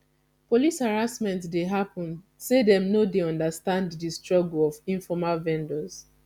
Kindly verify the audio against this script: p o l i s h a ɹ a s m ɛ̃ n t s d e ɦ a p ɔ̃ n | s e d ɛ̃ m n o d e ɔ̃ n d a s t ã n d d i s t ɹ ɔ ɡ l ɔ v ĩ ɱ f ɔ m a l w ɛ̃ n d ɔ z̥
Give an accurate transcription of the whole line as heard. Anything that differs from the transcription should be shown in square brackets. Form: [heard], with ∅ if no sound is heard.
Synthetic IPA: p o l i s h a ɹ a s m ɛ̃ n t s d e ɦ a p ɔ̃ n | s e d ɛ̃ m n o d e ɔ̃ n d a s t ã n d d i s t ɹ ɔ ɡ l ɔ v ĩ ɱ f ɔ m a l [v] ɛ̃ n d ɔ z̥